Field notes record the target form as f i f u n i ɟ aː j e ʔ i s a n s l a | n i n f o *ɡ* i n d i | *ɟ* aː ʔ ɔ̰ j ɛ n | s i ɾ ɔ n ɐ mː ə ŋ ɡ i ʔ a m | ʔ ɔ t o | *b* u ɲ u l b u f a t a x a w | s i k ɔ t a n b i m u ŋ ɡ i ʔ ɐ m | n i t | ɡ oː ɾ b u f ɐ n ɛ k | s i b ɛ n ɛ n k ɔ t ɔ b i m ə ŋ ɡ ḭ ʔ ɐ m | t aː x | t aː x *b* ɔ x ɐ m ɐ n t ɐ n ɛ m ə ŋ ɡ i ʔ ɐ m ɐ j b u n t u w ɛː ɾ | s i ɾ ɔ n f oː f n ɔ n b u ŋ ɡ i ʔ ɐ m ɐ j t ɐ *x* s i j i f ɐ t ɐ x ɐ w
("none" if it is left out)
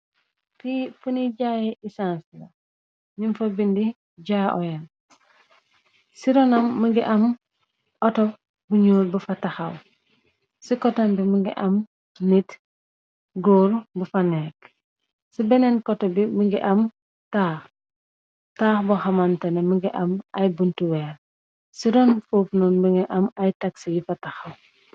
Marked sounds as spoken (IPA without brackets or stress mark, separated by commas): b, ɟ, b, b, k